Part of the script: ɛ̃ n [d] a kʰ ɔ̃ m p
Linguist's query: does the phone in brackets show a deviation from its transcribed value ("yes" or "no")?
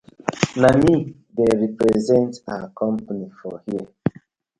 yes